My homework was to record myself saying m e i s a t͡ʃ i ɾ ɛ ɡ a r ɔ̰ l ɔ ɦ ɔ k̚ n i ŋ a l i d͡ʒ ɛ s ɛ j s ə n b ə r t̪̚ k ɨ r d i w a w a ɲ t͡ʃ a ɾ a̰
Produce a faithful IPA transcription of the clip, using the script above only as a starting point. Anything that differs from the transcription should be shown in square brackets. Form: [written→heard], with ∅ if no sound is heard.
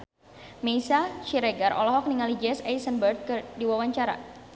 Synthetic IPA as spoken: m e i s a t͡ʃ i ɾ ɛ ɡ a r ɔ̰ l ɔ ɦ ɔ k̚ n i ŋ a l i d͡ʒ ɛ s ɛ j s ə n b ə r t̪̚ k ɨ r d i w a w a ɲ t͡ʃ a ɾ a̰